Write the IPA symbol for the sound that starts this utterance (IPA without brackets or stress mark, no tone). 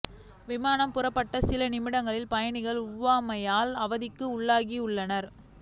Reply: ʋ